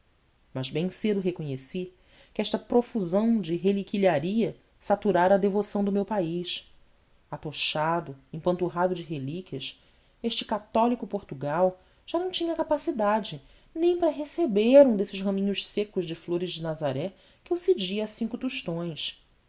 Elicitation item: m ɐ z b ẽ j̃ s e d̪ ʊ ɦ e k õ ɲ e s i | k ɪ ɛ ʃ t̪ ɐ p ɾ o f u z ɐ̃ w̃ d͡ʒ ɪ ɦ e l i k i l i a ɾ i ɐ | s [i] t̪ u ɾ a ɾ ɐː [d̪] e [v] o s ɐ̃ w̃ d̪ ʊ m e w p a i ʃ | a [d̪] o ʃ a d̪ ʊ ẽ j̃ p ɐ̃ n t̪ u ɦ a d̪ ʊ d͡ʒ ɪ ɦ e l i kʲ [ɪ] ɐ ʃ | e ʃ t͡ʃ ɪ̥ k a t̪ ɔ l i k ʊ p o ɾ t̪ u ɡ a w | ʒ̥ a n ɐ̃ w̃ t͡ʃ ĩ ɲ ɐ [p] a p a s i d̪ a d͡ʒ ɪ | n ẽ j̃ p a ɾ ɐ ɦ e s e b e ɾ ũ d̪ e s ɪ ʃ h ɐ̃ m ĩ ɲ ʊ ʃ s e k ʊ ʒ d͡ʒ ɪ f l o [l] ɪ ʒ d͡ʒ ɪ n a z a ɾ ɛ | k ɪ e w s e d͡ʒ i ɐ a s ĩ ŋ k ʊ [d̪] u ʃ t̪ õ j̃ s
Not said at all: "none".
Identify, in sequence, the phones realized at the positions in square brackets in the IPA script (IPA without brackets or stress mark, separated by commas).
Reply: a, d̪, v, t̪, i, k, ɾ, t̪